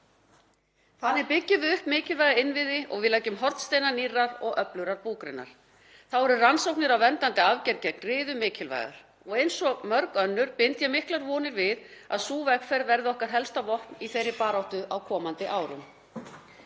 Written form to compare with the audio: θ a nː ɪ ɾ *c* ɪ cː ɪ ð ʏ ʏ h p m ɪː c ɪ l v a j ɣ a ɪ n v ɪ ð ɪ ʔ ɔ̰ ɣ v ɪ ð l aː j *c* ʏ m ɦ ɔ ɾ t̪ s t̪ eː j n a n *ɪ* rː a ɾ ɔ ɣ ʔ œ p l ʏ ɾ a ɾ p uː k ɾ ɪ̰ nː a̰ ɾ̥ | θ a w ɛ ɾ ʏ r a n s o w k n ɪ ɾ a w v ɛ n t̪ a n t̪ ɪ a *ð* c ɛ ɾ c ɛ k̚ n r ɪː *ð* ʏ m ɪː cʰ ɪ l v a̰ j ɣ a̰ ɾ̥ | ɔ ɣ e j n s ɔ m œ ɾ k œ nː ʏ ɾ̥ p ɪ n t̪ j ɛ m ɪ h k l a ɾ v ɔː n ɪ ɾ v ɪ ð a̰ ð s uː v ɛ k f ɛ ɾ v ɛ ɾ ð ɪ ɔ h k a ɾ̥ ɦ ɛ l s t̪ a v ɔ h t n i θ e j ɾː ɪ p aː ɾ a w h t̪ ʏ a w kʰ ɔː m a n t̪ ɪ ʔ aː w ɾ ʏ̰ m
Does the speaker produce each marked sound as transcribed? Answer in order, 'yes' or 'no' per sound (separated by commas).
no, yes, no, no, yes